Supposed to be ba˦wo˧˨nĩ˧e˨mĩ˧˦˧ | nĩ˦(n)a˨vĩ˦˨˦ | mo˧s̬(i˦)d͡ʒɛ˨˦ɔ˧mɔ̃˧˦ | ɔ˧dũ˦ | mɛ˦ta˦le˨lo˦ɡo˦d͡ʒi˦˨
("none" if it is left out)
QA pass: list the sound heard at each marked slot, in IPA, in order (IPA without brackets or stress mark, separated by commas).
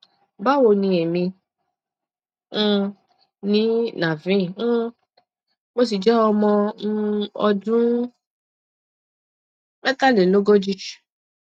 n, i˨